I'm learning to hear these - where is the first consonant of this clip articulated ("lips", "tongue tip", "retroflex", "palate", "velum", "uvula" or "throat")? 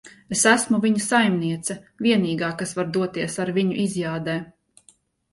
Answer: tongue tip